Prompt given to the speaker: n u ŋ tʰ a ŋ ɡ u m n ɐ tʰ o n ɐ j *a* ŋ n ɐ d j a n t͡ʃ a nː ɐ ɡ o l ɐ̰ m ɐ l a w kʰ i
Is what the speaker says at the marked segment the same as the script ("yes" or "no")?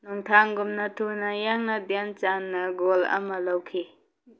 yes